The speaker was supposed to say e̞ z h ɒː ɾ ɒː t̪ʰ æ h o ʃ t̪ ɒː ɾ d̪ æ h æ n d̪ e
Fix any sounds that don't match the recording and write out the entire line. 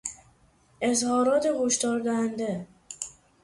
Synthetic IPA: e̞ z h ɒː ɾ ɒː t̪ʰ e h o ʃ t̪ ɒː ɾ d̪ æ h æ n d̪ e

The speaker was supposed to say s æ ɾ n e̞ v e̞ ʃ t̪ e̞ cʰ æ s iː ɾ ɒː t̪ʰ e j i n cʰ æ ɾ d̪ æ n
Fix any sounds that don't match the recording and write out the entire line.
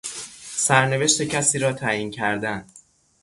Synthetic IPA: s æ ɾ n e̞ v e̞ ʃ t̪ e̞ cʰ æ s iː ɾ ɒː t̪ʰ æ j i n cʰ æ ɾ d̪ æ n

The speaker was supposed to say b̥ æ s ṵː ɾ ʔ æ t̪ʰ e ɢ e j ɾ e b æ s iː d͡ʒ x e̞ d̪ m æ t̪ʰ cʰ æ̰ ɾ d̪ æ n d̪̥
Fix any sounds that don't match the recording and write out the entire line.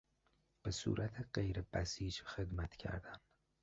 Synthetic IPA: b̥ e s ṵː ɾ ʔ æ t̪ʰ e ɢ e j ɾ e b æ s iː d͡ʒ x e̞ d̪ m æ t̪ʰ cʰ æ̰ ɾ d̪ æ n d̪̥

